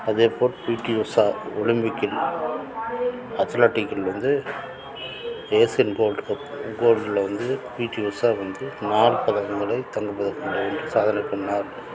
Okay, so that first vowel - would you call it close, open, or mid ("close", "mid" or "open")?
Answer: open